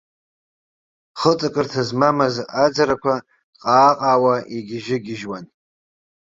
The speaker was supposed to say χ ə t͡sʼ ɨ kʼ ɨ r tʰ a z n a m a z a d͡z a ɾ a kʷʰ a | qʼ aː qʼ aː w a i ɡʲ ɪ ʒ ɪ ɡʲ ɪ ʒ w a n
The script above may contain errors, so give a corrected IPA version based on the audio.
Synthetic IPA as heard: χ ə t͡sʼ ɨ kʼ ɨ r tʰ a z m a m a z a d͡z a ɾ a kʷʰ a | qʼ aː qʼ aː w a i ɡʲ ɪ ʒ ɪ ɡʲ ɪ ʒ w a n